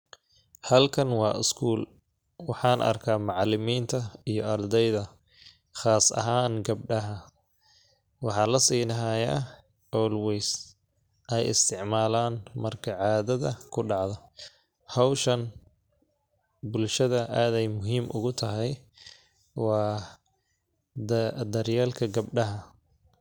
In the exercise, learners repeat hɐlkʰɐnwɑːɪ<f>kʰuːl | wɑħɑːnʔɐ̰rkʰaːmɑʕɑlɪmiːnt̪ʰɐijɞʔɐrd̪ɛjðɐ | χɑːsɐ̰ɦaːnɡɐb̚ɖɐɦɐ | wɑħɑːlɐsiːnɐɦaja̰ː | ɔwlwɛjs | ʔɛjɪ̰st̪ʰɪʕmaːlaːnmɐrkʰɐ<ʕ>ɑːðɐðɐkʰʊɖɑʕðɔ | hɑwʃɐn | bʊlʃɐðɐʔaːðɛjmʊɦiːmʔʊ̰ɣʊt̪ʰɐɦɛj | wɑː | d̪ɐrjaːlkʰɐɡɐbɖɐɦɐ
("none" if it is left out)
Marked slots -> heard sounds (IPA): s, ʕ

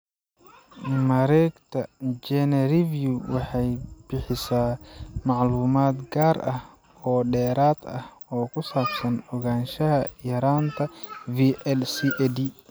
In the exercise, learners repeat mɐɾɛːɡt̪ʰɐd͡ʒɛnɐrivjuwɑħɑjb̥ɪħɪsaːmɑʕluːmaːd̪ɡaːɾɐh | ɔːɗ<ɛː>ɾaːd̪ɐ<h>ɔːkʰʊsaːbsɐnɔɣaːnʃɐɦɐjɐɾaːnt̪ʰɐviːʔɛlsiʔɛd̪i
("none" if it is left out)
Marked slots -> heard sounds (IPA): ɛː, h

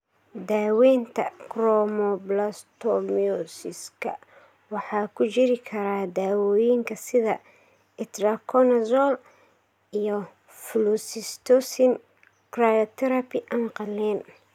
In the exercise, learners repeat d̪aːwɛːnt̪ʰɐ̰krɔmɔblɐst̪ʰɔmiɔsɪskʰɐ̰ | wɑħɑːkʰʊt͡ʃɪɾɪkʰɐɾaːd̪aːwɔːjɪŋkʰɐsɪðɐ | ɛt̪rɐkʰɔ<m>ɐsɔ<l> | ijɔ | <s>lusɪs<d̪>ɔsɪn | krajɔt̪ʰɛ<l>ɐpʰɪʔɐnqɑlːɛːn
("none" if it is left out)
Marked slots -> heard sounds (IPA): n, l, f, t̪, ɾ

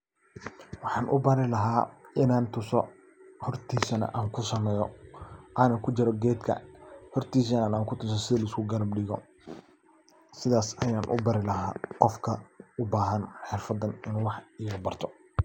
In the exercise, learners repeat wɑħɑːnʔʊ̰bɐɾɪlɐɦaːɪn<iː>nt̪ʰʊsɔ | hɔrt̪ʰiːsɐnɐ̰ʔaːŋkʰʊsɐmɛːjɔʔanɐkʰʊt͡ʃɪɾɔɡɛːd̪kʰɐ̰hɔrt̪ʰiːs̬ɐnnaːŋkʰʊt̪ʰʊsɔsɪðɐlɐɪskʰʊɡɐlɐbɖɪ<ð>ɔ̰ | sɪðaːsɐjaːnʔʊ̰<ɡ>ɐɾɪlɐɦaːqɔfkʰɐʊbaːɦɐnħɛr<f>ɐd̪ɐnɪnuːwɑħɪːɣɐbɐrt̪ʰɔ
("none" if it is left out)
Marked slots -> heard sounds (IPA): aː, ɣ, b, f

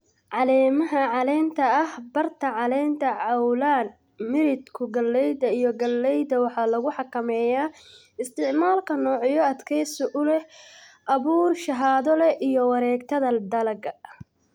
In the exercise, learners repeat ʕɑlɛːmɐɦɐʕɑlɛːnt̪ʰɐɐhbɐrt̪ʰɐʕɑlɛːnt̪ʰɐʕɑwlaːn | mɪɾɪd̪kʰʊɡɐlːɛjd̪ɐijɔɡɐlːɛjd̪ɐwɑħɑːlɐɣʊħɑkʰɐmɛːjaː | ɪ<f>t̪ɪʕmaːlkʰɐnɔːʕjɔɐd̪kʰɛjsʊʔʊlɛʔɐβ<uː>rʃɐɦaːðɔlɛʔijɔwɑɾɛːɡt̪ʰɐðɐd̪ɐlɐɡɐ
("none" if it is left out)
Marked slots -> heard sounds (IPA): s, uː

